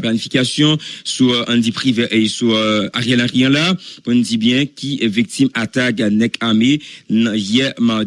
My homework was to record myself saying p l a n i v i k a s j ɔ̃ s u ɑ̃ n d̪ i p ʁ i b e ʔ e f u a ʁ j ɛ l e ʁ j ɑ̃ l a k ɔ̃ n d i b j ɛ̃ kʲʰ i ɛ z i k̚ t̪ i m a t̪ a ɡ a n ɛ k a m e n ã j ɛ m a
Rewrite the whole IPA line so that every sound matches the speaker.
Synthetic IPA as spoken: p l a n i f i k a s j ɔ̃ s u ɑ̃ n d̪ i p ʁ i v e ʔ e s u a ʁ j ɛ l a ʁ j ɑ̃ l a k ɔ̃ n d i b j ɛ̃ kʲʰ i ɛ v i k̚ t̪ i m a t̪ a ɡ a n ɛ k a m e n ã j ɛ m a